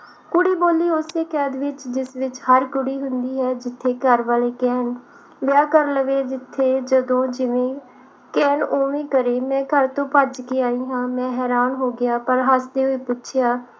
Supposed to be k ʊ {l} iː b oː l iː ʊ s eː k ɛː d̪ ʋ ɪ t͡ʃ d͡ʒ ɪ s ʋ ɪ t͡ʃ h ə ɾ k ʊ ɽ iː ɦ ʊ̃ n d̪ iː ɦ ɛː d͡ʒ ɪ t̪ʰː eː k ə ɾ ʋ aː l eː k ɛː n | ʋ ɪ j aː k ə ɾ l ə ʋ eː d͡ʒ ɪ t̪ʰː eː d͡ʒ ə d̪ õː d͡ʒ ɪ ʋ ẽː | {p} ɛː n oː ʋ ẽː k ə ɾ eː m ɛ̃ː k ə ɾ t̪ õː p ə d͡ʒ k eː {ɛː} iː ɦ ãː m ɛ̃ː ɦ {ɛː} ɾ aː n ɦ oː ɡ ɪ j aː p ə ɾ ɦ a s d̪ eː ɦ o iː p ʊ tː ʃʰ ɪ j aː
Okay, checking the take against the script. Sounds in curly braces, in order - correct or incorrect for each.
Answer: incorrect: ɽ, incorrect: k, incorrect: aː, correct

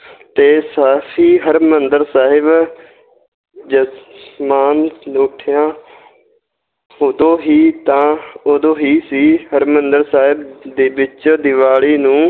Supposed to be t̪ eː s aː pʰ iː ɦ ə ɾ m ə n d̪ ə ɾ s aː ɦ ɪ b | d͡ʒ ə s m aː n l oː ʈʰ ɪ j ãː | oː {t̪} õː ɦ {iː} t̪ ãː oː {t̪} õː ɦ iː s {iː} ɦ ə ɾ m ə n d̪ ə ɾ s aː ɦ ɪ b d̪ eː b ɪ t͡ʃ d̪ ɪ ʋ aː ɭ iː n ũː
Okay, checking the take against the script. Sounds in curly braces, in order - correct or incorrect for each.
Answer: incorrect: d̪, correct, incorrect: d̪, correct

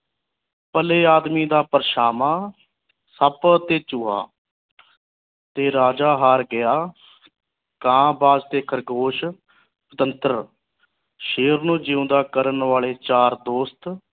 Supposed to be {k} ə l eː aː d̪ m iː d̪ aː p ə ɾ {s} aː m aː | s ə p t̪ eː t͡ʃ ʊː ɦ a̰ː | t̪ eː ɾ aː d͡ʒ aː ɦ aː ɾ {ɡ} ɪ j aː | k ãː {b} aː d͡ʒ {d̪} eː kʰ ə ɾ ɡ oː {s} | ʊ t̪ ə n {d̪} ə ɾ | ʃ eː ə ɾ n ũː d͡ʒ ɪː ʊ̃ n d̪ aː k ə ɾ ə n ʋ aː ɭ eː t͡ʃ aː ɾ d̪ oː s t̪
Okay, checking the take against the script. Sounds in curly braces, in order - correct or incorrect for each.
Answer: incorrect: p, incorrect: ʃ, correct, correct, incorrect: t̪, incorrect: ʃ, incorrect: t̪

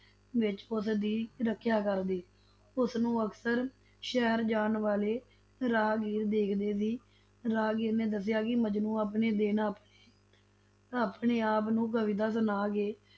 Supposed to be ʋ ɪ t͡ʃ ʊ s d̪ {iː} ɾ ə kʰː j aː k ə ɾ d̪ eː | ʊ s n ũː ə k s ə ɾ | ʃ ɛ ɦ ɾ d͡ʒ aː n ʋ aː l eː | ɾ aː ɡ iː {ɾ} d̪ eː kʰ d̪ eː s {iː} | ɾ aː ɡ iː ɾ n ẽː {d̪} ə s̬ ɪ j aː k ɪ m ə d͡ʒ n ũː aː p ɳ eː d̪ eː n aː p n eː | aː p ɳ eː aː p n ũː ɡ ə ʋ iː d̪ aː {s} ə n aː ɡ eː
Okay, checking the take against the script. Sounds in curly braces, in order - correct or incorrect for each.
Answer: correct, correct, correct, correct, correct

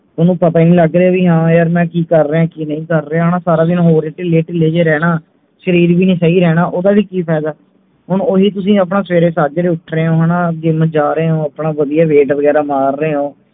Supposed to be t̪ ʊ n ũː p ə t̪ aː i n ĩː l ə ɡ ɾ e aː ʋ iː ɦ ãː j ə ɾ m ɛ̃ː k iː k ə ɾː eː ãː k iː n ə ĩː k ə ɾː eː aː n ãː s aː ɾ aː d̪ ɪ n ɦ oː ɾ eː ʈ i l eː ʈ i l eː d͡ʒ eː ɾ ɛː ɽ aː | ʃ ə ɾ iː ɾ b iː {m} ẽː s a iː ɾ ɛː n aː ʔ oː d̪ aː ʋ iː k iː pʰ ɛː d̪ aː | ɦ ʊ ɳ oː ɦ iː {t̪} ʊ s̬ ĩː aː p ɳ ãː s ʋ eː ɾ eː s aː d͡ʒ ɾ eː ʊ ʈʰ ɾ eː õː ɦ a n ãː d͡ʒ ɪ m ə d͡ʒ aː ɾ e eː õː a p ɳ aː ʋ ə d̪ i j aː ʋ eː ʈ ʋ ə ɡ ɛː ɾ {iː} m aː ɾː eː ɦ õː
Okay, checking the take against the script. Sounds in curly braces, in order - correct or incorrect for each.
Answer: incorrect: n, correct, incorrect: aː

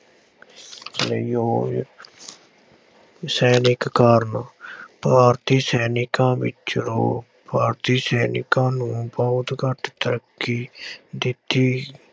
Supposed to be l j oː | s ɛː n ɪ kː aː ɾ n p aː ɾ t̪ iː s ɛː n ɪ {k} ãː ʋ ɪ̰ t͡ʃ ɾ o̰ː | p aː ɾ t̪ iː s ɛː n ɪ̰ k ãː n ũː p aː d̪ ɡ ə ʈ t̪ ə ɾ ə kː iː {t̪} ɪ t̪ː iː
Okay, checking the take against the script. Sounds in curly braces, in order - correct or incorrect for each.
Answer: correct, incorrect: d̪

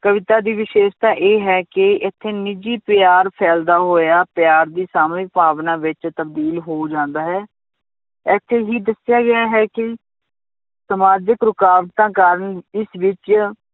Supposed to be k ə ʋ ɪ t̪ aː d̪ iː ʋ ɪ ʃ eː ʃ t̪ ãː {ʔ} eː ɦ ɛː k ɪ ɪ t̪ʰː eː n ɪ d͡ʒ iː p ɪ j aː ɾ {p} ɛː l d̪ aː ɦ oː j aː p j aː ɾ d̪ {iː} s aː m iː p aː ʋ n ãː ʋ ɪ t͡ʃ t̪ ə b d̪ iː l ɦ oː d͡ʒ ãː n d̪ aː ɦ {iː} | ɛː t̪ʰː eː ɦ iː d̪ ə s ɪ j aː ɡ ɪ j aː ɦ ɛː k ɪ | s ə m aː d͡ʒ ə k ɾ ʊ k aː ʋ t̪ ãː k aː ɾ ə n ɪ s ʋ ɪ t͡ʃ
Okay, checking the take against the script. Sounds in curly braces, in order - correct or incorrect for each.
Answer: correct, incorrect: pʰ, correct, incorrect: ɛː

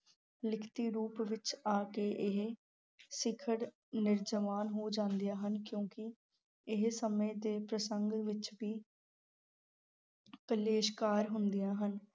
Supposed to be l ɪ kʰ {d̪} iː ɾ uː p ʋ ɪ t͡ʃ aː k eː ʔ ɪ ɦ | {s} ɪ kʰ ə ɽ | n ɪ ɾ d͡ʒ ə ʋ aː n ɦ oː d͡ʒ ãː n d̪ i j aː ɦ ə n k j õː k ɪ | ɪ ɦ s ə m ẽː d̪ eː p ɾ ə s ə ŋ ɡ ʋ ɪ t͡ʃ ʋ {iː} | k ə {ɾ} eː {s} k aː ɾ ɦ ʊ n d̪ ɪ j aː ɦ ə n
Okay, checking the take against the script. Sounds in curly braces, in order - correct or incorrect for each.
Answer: incorrect: t̪, correct, correct, incorrect: l, incorrect: ʃ

